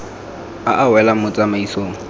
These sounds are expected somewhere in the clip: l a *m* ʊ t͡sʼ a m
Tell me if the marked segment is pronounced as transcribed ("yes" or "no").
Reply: yes